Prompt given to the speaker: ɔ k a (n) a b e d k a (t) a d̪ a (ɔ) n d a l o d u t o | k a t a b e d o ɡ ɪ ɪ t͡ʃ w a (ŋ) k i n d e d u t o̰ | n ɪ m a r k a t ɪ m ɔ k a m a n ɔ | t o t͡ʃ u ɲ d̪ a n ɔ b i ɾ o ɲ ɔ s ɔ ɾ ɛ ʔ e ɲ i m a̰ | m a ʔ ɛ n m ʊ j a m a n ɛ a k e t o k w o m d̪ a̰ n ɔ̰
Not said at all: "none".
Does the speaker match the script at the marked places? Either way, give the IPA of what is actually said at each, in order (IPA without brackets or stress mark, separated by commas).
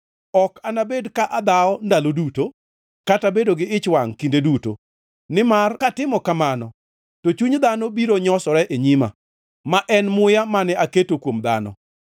n, ʔ, ɔ, ŋ